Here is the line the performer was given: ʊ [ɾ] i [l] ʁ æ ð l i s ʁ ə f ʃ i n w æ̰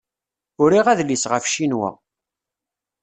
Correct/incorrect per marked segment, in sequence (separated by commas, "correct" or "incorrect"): correct, incorrect